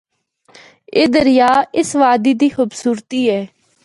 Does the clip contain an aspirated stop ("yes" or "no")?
no